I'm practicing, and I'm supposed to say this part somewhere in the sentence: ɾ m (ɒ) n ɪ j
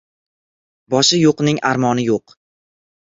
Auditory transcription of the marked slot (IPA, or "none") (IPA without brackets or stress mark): ɒ